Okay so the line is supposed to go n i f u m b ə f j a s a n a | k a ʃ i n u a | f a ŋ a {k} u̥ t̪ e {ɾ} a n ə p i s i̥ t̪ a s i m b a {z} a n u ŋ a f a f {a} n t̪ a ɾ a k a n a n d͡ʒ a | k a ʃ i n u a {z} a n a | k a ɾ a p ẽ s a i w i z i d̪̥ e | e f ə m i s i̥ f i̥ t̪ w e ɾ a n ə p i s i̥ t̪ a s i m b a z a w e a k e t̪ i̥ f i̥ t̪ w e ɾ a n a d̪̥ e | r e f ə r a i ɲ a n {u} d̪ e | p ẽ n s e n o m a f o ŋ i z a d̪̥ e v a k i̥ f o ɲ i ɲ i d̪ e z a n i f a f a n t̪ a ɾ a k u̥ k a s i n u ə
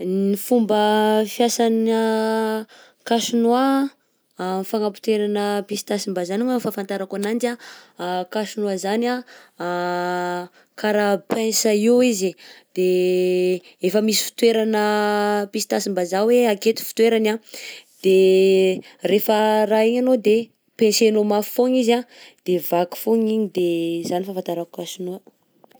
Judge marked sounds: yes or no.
no, yes, yes, yes, yes, no

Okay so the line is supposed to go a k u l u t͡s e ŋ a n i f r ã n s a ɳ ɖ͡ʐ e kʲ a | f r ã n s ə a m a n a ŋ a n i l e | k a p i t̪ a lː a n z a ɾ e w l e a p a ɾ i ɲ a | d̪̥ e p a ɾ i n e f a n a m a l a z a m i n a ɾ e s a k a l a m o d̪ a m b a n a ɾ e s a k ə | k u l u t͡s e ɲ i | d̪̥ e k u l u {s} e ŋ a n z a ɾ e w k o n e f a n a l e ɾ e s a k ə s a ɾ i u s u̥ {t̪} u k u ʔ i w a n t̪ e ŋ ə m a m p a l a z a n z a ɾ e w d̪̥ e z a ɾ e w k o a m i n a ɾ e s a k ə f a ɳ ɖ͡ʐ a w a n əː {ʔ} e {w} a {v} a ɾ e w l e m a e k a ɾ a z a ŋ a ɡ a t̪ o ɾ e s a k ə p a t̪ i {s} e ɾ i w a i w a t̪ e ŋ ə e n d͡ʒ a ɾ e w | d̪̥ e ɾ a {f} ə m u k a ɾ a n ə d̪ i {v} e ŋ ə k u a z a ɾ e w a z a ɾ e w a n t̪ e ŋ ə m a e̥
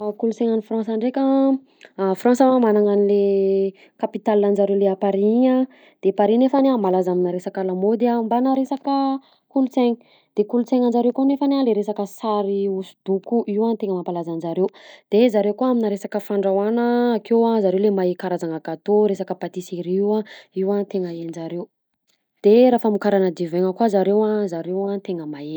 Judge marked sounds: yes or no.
no, no, no, yes, no, yes, yes, yes

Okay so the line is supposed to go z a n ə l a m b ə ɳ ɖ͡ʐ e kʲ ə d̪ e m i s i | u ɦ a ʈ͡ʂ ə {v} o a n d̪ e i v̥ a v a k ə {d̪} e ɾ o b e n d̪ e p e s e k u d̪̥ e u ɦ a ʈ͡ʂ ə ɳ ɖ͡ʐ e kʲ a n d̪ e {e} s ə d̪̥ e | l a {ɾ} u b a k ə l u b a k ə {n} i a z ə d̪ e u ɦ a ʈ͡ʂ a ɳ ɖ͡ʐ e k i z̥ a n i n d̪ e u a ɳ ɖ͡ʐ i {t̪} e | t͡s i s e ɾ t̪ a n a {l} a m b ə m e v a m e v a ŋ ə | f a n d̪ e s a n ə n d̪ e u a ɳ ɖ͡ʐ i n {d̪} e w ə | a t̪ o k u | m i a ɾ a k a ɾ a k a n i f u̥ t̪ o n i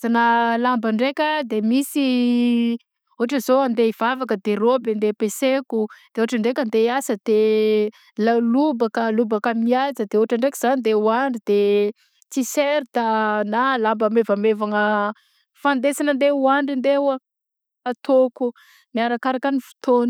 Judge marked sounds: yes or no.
no, yes, no, no, no, no, yes, yes

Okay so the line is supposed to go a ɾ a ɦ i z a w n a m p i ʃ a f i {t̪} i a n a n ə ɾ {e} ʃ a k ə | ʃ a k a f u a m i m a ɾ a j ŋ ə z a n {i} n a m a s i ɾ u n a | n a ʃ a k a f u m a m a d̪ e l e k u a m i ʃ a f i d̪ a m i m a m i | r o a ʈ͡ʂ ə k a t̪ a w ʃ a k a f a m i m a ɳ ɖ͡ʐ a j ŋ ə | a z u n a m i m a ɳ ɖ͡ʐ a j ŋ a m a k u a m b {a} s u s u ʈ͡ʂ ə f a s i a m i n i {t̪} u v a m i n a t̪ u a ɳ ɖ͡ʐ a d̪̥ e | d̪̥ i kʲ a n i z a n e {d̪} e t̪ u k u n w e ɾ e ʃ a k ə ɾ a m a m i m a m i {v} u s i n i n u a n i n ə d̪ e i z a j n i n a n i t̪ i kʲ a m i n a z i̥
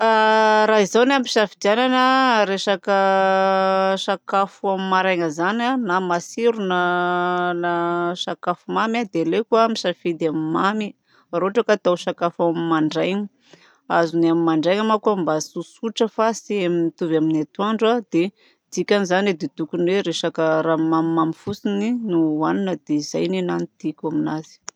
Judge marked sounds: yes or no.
no, yes, no, yes, yes, yes, no

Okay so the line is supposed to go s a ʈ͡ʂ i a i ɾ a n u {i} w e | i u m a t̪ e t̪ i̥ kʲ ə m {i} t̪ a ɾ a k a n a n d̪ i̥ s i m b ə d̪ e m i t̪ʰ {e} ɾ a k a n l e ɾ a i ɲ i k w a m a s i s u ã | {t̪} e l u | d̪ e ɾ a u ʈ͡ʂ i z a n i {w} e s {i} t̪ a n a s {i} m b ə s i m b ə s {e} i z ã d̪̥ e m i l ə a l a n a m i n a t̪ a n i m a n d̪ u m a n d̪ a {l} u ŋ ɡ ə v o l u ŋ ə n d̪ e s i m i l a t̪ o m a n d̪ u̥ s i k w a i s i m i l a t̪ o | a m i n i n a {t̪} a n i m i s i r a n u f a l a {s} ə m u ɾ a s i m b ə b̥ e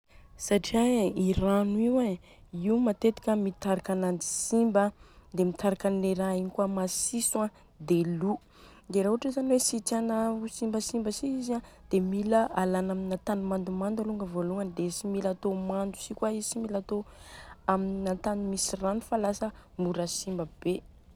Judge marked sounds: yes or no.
yes, yes, no, no, yes, yes, yes, no, yes, yes, yes

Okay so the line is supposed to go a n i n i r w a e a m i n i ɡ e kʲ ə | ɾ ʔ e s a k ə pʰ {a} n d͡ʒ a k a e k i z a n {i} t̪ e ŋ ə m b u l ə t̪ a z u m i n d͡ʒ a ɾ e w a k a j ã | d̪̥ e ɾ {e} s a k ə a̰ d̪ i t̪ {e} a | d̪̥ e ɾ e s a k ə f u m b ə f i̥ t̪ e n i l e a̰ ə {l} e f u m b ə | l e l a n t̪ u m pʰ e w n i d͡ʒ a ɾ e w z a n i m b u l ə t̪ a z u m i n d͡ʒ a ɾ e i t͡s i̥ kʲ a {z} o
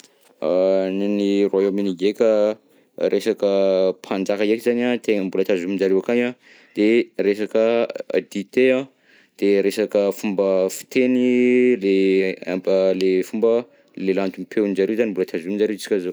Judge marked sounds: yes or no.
yes, no, yes, yes, yes, yes

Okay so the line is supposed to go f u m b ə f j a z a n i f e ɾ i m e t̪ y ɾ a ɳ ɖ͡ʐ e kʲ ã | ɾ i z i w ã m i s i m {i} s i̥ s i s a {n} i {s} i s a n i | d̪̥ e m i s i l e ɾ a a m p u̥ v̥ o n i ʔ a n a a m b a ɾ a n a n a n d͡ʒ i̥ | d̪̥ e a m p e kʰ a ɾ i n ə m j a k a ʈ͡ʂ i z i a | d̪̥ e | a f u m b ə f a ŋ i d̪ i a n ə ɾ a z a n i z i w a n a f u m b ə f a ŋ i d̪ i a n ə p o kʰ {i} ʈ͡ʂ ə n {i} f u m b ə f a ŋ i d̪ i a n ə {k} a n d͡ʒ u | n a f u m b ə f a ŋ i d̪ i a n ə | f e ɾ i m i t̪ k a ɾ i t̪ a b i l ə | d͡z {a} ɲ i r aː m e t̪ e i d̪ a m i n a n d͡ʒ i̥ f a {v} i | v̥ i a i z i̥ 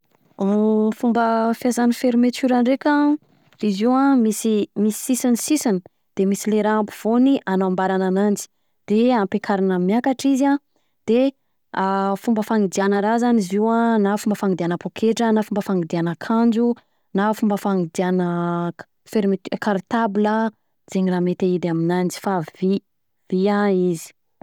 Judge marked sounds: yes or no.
yes, yes, yes, no, no, no, no, yes

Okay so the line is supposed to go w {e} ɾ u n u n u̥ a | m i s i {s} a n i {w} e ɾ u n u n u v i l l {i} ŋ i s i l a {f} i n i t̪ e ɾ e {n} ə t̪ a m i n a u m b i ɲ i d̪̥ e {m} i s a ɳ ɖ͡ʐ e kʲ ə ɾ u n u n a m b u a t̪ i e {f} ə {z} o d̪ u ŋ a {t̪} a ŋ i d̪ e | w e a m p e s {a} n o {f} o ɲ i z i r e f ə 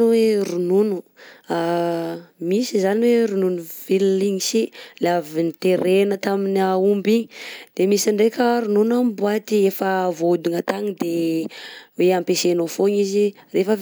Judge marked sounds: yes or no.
yes, no, yes, yes, no, yes, yes, yes, no, yes, no, yes

